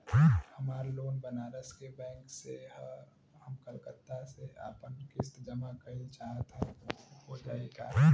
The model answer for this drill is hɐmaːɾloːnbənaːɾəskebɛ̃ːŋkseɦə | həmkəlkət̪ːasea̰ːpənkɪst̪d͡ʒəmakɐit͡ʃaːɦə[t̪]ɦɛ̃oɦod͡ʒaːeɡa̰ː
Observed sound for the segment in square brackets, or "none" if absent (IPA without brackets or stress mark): t̪